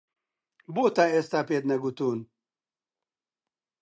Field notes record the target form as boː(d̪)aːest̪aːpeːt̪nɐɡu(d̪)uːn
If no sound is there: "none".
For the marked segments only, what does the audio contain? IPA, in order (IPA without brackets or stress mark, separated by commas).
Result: t̪, t̪